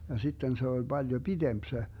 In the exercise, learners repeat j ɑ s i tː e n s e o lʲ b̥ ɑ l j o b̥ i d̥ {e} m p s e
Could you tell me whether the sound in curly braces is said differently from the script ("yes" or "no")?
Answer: no